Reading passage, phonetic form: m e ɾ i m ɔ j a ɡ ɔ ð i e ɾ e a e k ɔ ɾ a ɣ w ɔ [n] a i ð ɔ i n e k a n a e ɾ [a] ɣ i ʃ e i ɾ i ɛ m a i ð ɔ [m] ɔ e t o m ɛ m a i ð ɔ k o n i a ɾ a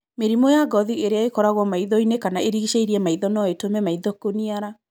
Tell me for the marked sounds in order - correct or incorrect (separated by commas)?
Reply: incorrect, incorrect, incorrect